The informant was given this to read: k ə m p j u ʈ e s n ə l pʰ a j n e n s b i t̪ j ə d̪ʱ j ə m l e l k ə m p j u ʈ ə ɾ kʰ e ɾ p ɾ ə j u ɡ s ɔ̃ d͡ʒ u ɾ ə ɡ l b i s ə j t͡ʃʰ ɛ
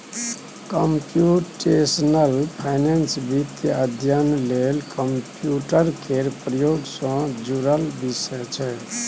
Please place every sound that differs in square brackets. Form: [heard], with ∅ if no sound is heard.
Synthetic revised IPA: k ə m p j u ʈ e s n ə l pʰ a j n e n s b i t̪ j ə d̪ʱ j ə [n] l e l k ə m p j u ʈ ə ɾ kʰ e ɾ p ɾ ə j [o] ɡ s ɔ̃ d͡ʒ u ɾ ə [∅] l b i s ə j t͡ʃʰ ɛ